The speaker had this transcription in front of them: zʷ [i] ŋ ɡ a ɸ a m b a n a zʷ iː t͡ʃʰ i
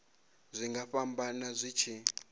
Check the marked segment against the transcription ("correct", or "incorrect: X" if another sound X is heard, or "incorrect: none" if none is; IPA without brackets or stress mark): correct